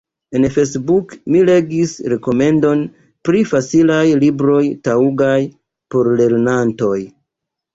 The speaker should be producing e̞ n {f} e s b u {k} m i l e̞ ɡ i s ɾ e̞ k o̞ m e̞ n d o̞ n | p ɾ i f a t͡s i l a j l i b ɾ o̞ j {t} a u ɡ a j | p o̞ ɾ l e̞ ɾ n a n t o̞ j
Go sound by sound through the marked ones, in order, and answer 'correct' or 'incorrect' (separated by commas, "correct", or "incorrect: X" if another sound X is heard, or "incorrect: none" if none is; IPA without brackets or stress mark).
correct, correct, correct